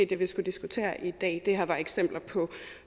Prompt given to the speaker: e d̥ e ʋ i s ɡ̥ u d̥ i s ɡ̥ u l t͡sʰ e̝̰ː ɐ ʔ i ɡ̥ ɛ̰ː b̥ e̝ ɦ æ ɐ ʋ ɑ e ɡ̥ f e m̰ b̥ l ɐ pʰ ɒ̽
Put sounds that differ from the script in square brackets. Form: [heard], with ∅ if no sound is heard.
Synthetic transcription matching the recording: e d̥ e ʋ i s ɡ̥ u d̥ i s ɡ̥ u [∅] t͡sʰ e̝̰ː ɐ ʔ i [d̥] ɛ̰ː [d̥] e̝ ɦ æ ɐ ʋ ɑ e ɡ̥ [s] e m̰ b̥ l ɐ pʰ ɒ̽